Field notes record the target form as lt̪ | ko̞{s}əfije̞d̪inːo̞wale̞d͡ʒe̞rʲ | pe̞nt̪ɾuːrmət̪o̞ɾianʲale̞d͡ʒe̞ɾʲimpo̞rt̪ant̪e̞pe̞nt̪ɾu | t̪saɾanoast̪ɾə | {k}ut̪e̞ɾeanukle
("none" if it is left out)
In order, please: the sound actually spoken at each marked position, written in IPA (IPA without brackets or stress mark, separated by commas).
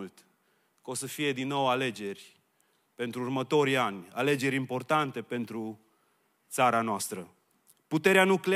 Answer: s, p